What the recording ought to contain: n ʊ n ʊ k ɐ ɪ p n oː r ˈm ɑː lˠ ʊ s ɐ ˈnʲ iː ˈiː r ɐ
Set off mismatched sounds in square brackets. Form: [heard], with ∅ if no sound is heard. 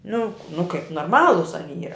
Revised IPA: n ʊ n ʊ k ɐ ɪ p n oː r ˈm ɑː lˠ ʊ s ɐ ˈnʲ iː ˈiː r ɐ